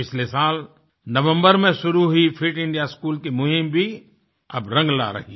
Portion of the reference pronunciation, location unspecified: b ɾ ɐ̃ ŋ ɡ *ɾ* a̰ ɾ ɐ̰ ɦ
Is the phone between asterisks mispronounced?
yes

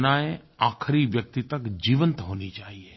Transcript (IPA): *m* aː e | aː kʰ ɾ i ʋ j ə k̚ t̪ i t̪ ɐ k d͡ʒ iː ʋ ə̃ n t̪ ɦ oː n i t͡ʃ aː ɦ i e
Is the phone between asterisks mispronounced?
yes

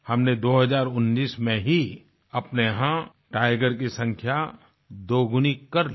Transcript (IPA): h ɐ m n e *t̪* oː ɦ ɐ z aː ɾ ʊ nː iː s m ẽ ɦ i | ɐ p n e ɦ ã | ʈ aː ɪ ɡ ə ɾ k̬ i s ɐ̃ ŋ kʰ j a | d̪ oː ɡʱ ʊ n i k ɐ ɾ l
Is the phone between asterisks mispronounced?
yes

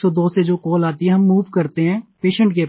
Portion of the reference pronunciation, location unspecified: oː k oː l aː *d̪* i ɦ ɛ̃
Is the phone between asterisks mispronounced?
yes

